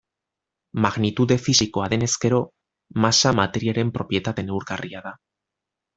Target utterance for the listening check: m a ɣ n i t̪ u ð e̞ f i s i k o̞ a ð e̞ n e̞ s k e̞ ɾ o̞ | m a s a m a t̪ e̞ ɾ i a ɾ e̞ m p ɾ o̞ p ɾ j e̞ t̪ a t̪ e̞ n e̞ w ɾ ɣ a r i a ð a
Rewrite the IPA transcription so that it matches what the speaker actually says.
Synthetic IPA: m a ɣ n i t̪ u ð e̞ f i s i k o̞ a ð e̞ n e̞ s k e̞ ɾ o̞ | m a s a m a t̪ e̞ ɾ i a ɾ e̞ m p ɾ o̞ p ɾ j e̞ t̪ a t̪ e̞ n e̞ w ɾ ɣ a r i a ð a